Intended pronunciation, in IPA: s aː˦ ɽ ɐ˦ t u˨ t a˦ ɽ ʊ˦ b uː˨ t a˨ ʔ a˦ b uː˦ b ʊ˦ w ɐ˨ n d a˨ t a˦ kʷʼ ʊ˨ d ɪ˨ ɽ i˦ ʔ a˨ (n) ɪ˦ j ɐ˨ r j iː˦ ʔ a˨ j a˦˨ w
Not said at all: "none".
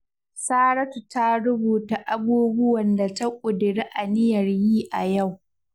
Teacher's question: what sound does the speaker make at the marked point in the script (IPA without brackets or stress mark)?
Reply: n